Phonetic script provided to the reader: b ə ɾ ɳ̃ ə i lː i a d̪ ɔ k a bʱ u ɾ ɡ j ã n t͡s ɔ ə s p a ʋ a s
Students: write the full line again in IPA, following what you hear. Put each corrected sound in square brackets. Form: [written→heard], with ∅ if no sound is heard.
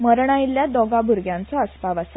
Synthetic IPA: [b→m] ə ɾ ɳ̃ [ə→a] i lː [i→j] a d̪ ɔ [k→ɡ] a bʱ u ɾ ɡ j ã n t͡s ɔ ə s p a ʋ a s

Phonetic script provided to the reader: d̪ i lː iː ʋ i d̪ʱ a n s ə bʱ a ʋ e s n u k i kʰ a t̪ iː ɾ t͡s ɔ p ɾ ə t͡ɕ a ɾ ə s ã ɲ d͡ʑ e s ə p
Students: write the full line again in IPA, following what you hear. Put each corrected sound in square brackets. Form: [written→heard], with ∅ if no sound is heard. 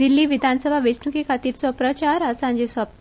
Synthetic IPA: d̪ i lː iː ʋ i d̪ʱ a n s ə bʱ a ʋ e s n u k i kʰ a t̪ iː ɾ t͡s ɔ p ɾ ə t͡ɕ a ɾ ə s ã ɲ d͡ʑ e s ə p

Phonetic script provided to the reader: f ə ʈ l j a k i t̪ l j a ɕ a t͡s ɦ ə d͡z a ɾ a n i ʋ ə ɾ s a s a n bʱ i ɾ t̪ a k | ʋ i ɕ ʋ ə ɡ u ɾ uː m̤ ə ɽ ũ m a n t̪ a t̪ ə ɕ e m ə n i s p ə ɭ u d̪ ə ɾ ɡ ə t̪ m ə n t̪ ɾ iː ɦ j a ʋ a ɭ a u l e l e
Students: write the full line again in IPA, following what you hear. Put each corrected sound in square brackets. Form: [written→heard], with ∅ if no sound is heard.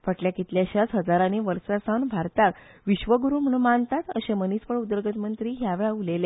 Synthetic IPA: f ə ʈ l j a k i t̪ l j a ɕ a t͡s ɦ ə d͡z a ɾ a n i ʋ ə ɾ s a s a n bʱ [i→a] ɾ t̪ a k | ʋ i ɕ ʋ ə ɡ u ɾ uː m̤ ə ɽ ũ m a n t̪ a t̪ ə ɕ e m ə n i s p ə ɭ u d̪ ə ɾ ɡ ə t̪ m ə n t̪ ɾ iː ɦ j a ʋ [a→e] ɭ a u l e l e

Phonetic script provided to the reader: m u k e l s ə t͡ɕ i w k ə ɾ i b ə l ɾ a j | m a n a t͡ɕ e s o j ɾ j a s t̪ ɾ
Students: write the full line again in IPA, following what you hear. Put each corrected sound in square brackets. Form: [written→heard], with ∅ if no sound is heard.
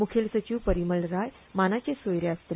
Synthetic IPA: m u [k→kʰ] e l s ə t͡ɕ i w [k→p] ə ɾ i [b→m] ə l ɾ a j | m a n a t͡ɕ e s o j ɾ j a s t̪ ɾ

